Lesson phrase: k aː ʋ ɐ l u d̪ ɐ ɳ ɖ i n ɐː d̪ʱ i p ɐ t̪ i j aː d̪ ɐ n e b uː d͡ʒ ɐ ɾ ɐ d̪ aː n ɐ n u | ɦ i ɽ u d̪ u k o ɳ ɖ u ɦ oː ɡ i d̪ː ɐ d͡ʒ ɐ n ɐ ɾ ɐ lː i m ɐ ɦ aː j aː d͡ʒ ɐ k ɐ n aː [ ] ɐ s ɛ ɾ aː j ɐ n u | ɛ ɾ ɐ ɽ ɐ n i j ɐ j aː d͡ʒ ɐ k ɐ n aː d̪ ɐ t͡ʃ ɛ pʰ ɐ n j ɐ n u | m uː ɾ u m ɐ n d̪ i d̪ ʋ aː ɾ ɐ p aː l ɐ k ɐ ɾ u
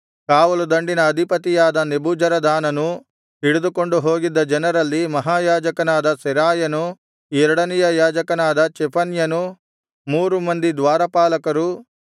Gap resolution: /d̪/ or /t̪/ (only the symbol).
d̪